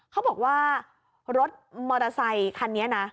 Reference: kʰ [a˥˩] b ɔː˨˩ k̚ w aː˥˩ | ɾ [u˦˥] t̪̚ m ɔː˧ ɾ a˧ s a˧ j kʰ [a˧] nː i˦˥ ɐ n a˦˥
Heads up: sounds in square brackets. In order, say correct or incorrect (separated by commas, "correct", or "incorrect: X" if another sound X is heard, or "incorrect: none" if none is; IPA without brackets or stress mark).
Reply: incorrect: a˦˥, incorrect: o˦˥, correct